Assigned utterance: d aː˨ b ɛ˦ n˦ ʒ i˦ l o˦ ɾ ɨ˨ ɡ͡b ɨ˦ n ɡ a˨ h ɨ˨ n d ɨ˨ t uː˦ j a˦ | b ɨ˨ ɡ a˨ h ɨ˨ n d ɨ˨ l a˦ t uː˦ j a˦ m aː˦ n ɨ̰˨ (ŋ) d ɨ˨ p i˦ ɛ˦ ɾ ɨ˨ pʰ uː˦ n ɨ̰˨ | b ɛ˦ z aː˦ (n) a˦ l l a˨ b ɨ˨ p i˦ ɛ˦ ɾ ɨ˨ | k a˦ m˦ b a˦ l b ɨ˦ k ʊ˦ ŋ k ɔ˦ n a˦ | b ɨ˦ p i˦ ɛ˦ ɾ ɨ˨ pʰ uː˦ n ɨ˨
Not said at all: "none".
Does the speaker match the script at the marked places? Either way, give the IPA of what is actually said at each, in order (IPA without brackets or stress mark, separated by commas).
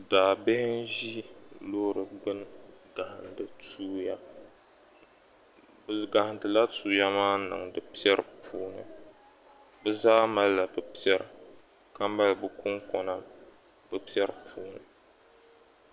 ŋ, m